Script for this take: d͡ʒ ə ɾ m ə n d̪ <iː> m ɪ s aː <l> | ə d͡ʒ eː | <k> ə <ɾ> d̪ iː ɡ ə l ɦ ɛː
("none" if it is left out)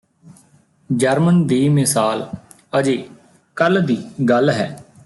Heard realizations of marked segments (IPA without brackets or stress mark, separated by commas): iː, l, k, l